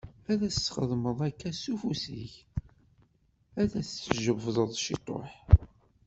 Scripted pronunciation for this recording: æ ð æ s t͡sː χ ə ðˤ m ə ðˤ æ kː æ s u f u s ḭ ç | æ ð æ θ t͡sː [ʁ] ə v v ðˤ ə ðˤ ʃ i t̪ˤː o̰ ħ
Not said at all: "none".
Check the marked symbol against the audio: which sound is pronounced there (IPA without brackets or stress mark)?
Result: ʒ